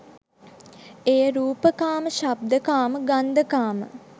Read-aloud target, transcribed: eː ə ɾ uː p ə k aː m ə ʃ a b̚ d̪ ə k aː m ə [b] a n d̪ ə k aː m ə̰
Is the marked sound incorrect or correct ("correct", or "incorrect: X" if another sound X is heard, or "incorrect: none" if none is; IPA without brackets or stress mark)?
incorrect: ɡ